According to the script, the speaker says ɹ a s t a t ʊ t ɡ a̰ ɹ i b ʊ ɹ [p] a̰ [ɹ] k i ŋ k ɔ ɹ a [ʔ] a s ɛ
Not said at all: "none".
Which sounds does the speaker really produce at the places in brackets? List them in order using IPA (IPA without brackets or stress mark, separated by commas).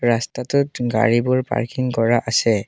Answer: p, ɹ, ʔ